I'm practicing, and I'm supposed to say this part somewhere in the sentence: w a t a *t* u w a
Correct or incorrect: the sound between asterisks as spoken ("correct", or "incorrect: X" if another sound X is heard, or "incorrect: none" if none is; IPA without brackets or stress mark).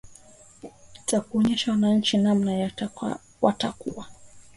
incorrect: k